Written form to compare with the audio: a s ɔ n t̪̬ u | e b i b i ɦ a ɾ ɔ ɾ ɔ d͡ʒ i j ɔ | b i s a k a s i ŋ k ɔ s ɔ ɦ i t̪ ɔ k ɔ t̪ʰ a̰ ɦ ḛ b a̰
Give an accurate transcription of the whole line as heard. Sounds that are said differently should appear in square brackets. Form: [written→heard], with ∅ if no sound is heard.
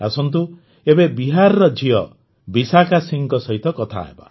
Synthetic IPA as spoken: a s ɔ n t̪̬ u | e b [i→e] b i ɦ a ɾ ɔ ɾ ɔ d͡ʒ i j ɔ | b i s a k a s i ŋ k ɔ s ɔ ɦ i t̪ ɔ k ɔ t̪ʰ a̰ ɦ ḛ b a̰